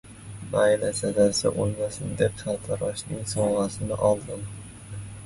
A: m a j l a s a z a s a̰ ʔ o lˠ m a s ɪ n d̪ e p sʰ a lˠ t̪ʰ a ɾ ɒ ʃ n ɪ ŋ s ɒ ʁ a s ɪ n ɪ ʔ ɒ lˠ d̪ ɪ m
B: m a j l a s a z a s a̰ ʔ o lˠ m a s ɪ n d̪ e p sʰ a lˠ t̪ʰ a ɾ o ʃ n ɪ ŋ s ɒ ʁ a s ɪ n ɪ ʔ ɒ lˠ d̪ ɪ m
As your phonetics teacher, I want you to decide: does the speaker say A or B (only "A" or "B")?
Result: A